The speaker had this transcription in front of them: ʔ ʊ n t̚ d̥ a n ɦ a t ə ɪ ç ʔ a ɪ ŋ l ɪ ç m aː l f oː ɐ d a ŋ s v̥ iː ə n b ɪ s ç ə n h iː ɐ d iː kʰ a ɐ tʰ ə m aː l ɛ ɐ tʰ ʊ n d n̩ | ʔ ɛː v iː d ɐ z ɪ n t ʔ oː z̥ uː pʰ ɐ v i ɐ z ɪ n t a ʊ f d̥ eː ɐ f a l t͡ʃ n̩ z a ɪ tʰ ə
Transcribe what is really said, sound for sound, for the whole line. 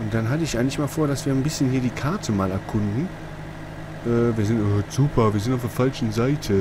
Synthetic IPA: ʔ ʊ n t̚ d̥ a n ɦ a t ə ɪ ç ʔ a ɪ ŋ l ɪ ç m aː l f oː ɐ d a s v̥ iː ɐ n b ɪ s ç ə n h iː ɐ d iː kʰ a ɐ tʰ ə m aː l ɛ ɐ kʰ ʊ n d n̩ | ʔ ɛː v iː ɐ z ɪ n t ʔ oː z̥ uː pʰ ɐ v iː ɐ z ɪ n t a ʊ f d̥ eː ɐ f a l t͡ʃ n̩ z a ɪ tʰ ə